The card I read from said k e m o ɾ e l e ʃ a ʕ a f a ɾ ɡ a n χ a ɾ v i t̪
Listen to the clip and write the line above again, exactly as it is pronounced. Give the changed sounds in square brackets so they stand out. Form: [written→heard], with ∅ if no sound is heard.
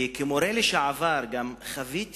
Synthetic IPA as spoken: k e m o ɾ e l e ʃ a ʕ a [f→v] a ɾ ɡ a [n→m] χ a [ɾ→∅] v i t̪

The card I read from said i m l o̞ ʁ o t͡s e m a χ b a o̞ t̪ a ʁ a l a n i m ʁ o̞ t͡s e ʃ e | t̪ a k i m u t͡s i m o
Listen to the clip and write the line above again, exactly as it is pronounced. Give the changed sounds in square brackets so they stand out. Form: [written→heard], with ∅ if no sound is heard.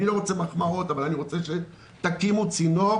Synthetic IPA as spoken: i [m→∅] l o̞ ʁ o t͡s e m a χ [b→m] a o̞ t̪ a [ʁ→v] a l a n i [m→∅] ʁ o̞ t͡s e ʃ e | t̪ a k i m u t͡s i [m→n] o

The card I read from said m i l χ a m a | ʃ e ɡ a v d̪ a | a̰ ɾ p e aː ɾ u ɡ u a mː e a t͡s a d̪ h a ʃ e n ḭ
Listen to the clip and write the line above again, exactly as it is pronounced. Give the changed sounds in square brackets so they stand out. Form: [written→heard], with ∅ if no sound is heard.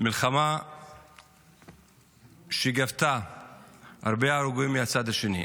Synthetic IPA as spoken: m i l χ a m a | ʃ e ɡ a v [d̪→t̪] a | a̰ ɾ [p→b] e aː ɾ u ɡ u [a→i] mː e a t͡s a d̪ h a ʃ e n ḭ

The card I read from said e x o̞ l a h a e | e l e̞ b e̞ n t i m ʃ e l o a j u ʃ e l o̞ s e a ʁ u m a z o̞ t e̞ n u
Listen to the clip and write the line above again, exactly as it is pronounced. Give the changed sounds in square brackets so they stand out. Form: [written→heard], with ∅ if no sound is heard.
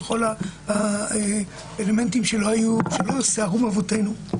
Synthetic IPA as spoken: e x o̞ l a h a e | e l e̞ [b→m] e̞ n t i m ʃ e l o a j u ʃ e l o̞ s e a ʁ u m a [z→v] o̞ t e̞ n u

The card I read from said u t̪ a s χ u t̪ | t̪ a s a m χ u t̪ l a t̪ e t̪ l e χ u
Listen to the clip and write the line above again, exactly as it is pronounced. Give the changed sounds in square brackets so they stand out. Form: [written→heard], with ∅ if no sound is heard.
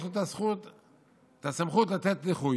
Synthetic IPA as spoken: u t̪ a s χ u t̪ | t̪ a s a m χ u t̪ l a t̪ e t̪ l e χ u

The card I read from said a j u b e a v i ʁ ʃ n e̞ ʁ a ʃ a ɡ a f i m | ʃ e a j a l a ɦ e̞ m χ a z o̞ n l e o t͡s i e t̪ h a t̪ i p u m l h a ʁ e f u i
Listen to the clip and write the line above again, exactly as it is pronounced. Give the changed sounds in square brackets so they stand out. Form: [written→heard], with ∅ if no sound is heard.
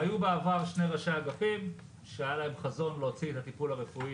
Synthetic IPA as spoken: a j u b e a v [i→a] ʁ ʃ n e̞ ʁ a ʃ a ɡ a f i m | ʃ e a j a l a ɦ e̞ m χ a z o̞ n l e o t͡s i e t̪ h a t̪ i p u [m→∅] l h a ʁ e f u i

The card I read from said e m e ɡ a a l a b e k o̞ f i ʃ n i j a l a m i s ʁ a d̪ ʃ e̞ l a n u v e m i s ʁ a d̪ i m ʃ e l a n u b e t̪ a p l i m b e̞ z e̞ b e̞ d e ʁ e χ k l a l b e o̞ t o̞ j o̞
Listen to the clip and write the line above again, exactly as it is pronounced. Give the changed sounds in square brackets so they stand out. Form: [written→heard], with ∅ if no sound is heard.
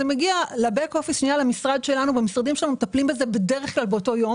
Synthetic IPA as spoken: e m e ɡ [a→i] a l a b e k o̞ f i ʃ n i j a l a m i s ʁ a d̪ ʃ e̞ l a n u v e m i s ʁ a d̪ i m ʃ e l a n u [b→m] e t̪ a p l i m b e̞ z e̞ b e̞ d e ʁ e χ k l a l b e o̞ t o̞ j o̞

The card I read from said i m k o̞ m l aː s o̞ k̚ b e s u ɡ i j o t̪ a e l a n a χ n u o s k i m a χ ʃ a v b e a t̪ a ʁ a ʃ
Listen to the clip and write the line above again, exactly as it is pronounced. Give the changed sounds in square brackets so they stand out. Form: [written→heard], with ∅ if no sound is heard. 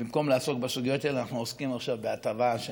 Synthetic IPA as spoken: i m k o̞ m l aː s o̞ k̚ b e s u ɡ i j o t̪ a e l a n a χ n u o s k i m a χ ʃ a v b e a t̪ a [ʁ→v] a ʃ

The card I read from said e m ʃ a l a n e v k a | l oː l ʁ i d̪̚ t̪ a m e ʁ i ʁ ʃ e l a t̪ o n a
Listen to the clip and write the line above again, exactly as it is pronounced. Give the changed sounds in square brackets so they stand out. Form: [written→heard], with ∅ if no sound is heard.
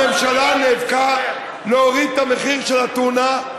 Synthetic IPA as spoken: e m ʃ a l a n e v k a | l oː [l→∅] ʁ i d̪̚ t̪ a m e [ʁ→χ] i ʁ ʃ e l a t̪ [o→u] n a

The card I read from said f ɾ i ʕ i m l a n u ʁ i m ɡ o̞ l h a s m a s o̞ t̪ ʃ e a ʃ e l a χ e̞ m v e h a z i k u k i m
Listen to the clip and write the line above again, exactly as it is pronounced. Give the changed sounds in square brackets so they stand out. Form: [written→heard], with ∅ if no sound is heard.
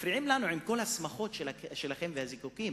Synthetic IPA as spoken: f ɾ i ʕ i m l a n u [ʁ→ʕ] i m [ɡ→k] o̞ l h a s m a [s→χ] o̞ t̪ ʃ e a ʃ e l a χ e̞ m v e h a z i k u k i m

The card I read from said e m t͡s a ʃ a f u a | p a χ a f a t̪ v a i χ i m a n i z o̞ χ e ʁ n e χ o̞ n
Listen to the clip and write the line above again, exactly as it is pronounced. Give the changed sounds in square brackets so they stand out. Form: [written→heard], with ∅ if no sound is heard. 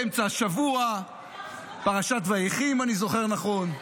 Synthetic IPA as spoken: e m t͡s a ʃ a [f→v] u a | p a [χ→ʁ] a [f→ʃ] a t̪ v a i χ i m a n i z o̞ χ e ʁ n [e→a] χ o̞ n

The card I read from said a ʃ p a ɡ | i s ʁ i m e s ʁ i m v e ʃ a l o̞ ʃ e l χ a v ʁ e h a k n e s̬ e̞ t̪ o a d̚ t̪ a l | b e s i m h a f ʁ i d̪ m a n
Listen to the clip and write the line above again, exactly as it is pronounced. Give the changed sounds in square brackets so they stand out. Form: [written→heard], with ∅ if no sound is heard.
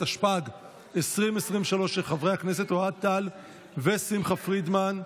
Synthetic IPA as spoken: a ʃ p a ɡ | [i→e] s ʁ i m e s ʁ i m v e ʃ a l o̞ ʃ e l χ a v ʁ e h a k n e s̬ e̞ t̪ o a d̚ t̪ a l | [b→v] e s i m [h→χ] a f ʁ i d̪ m a n

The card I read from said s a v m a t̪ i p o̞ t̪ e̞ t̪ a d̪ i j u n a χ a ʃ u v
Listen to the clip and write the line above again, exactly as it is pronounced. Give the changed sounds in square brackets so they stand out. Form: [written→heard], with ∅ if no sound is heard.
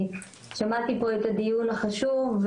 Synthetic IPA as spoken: [s→ʃ] a [v→∅] m a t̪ i p o̞ [t̪→∅] e̞ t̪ a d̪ i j u n a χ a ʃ u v

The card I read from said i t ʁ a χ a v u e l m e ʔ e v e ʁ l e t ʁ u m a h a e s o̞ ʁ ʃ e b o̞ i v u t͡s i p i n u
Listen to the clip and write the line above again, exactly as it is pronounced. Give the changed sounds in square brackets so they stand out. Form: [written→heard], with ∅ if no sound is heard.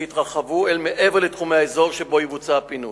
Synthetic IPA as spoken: i t ʁ a χ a v u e l m e ʔ e v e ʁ l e t [ʁ→χ] u m [a→e] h a e [s→z] o̞ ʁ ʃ e b o̞ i v u t͡s [i→a] p i n u

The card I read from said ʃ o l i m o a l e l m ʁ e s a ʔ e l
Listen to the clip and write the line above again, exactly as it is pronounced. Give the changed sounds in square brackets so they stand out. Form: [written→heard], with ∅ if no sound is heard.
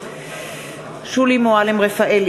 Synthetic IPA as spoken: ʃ [o→u] l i m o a l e [l→∅] m ʁ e [s→f] a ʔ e l

